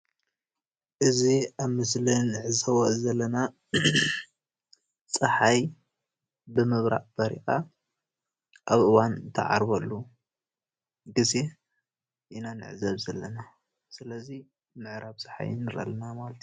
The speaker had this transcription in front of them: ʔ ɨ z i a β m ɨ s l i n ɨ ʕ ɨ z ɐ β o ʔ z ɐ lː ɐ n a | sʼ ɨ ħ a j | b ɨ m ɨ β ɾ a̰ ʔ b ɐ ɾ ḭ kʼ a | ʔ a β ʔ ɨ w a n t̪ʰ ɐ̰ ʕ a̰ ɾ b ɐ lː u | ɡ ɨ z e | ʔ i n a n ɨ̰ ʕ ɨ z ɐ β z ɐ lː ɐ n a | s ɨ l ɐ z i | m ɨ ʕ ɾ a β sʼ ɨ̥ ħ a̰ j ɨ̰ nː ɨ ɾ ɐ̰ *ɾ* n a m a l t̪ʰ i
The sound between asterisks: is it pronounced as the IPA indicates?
no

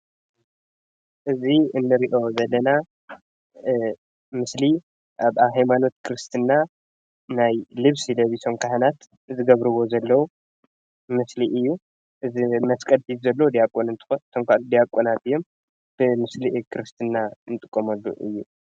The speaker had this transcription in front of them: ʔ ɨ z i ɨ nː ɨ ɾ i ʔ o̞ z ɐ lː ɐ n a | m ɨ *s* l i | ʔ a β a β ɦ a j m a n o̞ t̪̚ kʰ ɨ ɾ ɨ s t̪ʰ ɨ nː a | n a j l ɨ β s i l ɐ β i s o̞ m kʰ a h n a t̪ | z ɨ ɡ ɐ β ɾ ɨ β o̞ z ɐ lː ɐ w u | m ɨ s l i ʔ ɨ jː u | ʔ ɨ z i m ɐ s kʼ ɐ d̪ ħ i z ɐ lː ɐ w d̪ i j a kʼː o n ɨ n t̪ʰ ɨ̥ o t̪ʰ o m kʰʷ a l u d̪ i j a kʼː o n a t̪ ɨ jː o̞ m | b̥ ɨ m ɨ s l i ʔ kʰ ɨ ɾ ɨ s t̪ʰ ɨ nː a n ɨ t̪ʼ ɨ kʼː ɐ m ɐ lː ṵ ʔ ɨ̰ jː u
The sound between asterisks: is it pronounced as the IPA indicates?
yes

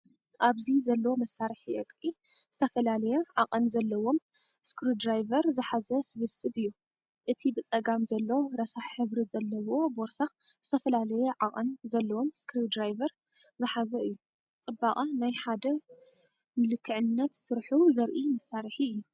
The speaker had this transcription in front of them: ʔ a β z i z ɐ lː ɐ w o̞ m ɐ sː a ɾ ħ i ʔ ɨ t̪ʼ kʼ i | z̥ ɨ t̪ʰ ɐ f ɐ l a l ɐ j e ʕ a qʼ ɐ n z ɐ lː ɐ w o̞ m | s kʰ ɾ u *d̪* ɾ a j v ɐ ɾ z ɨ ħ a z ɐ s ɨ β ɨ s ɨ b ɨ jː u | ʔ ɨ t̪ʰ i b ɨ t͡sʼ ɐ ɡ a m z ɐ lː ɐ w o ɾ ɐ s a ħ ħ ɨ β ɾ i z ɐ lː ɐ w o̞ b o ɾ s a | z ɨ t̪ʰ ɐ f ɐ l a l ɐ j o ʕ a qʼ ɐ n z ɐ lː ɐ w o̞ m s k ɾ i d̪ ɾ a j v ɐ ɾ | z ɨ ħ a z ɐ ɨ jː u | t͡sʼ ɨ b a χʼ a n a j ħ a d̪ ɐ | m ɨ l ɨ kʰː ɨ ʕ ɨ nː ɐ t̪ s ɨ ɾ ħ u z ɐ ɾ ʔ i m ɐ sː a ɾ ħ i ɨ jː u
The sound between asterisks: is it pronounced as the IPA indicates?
yes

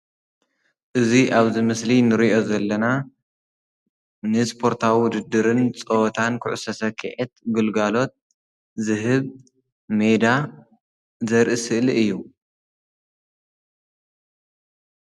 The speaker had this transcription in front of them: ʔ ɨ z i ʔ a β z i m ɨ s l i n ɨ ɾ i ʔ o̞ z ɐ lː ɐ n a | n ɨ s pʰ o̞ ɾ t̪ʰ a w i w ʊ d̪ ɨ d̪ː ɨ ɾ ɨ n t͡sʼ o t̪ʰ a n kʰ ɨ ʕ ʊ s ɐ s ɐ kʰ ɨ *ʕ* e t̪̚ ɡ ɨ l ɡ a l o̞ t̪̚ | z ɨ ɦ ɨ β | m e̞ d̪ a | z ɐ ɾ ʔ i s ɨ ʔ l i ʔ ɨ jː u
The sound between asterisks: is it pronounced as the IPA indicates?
yes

